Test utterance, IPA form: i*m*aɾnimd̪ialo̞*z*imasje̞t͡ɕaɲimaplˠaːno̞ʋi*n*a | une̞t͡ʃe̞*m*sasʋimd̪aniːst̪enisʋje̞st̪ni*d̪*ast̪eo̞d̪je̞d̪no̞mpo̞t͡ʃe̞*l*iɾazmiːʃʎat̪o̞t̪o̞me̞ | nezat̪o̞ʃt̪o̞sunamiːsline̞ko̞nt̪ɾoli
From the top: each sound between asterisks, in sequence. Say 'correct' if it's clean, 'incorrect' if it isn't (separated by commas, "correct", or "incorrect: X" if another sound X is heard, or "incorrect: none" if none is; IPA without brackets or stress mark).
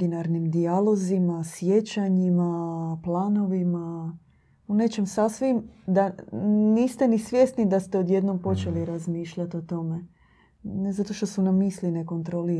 incorrect: n, correct, incorrect: m, correct, correct, correct